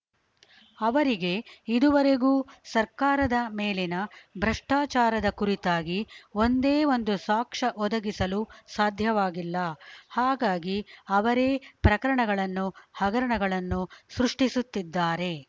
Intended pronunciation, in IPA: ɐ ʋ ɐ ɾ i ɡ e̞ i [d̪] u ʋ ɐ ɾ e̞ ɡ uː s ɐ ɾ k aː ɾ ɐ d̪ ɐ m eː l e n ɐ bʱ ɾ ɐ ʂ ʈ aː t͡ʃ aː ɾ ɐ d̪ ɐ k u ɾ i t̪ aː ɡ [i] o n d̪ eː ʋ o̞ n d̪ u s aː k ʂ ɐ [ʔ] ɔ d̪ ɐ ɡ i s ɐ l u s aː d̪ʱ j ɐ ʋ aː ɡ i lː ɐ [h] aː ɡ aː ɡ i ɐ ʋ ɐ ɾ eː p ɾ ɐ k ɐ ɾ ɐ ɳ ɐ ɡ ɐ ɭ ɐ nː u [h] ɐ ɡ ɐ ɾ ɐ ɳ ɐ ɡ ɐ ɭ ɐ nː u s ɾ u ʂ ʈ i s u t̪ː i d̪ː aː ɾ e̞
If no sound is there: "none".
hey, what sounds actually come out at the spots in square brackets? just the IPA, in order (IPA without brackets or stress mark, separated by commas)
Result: d̪, i, ʔ, h, h